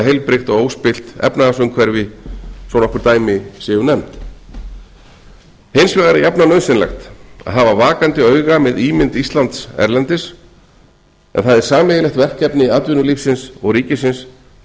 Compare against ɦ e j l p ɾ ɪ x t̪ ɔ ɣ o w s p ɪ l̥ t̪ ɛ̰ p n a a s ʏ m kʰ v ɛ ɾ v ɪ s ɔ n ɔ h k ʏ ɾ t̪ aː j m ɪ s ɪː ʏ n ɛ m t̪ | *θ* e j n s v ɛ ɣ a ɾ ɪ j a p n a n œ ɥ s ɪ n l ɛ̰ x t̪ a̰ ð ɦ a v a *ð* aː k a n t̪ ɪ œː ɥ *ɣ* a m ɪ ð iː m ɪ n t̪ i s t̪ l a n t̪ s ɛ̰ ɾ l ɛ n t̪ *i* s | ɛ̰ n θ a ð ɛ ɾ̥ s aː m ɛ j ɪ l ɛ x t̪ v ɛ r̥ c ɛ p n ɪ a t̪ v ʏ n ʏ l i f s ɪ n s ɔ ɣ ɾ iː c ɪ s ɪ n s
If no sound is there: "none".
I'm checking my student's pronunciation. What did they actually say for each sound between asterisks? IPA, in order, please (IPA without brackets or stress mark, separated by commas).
h, v, ɣ, ɪ